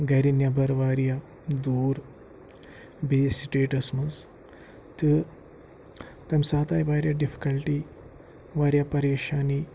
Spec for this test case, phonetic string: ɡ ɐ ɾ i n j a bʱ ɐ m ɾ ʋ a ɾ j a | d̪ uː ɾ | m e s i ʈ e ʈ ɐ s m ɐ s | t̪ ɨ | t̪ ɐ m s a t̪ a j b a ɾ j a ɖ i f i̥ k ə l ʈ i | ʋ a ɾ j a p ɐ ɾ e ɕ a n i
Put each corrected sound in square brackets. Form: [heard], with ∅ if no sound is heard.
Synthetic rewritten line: ɡ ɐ ɾ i n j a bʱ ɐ [∅] ɾ ʋ a ɾ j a | d̪ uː ɾ | [b] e s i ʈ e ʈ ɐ s m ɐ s | t̪ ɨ | t̪ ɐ m s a t̪ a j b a ɾ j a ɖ i f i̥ k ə l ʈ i | ʋ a ɾ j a p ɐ ɾ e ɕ a n i